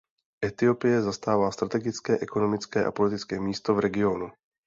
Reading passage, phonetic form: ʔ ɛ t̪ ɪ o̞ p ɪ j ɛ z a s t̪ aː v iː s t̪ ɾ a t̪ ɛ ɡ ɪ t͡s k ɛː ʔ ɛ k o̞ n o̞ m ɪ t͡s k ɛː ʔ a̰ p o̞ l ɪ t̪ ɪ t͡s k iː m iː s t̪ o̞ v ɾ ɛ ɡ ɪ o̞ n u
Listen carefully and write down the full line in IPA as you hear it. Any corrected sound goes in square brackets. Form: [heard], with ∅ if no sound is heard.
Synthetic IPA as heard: ʔ ɛ t̪ ɪ o̞ p ɪ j ɛ z a s t̪ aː v [aː] s t̪ ɾ a t̪ ɛ ɡ ɪ t͡s k ɛː ʔ ɛ k o̞ n o̞ m ɪ t͡s k ɛː ʔ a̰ p o̞ l ɪ t̪ ɪ t͡s k [ɛː] m iː s t̪ o̞ v ɾ ɛ ɡ ɪ o̞ n u